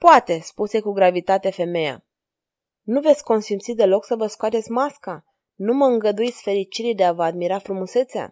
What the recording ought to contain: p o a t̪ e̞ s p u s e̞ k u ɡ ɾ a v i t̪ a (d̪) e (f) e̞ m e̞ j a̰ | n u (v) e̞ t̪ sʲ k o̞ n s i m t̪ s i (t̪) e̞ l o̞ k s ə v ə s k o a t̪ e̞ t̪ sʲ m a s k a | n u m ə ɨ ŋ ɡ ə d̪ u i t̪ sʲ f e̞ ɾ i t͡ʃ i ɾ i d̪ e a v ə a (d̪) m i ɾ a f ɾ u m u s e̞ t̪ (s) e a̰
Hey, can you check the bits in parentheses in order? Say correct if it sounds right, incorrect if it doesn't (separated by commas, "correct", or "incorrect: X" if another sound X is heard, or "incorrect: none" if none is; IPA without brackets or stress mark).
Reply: incorrect: t̪, correct, correct, incorrect: d̪, correct, correct